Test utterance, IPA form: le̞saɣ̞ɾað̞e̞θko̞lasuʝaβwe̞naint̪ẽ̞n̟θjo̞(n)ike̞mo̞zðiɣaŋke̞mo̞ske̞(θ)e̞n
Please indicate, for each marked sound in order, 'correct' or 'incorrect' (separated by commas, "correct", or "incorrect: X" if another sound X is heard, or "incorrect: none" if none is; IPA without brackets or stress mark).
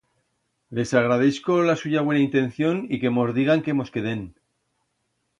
correct, incorrect: ð